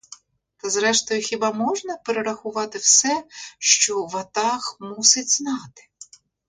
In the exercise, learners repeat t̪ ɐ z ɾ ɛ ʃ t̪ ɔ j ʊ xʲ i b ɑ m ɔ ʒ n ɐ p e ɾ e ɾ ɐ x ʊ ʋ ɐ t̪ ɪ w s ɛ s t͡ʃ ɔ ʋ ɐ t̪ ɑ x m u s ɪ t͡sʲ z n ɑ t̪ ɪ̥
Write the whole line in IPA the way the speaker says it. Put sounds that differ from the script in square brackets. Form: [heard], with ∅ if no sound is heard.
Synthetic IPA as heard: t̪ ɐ z ɾ ɛ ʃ t̪ ɔ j ʊ xʲ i b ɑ m ɔ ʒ n ɐ p e ɾ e ɾ ɐ x ʊ ʋ [ɑ] t̪ ɪ w s ɛ [ʃ] t͡ʃ ɔ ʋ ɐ t̪ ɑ x m u s ɪ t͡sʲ z n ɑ t̪ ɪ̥